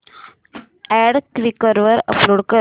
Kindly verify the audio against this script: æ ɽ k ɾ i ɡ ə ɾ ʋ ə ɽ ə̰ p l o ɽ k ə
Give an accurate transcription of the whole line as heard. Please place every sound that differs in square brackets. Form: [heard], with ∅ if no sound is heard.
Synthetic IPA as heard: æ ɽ k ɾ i [k] ə ɾ ʋ ə [ɾ] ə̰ p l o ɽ k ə